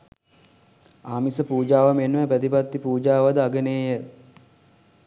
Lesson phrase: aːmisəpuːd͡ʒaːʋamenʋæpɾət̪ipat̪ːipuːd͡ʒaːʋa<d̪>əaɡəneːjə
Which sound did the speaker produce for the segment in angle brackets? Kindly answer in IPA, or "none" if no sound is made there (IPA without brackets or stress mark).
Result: d̪